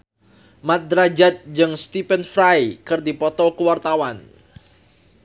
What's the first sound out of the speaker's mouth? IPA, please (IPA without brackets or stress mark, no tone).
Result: m